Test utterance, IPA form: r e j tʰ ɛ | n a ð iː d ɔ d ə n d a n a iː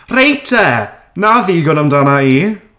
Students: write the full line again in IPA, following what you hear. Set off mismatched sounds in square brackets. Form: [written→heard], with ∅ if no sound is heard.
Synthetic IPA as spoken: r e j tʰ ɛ | n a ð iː [d→ɡ] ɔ [d→n] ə [n→m] d a n a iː